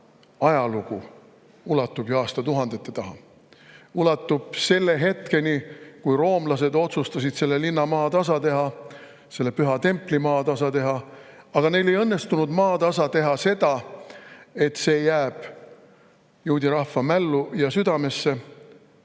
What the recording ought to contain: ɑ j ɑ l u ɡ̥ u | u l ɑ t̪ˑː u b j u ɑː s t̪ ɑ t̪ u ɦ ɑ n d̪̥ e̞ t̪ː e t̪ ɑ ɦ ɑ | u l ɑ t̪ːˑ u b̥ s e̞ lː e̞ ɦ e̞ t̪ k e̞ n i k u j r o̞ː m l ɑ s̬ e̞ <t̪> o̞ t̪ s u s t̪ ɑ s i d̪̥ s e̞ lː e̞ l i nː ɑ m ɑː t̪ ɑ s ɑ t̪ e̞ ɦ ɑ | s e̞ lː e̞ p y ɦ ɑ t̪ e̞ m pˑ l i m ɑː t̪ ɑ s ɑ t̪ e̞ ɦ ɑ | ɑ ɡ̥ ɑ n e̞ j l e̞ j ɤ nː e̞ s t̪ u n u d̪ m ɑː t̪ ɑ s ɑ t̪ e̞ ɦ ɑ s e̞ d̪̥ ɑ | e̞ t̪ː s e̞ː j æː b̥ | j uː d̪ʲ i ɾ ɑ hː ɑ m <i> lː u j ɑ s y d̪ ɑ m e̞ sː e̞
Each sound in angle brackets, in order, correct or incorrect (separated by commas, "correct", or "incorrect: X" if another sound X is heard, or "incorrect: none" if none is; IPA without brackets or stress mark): incorrect: d̪, incorrect: æ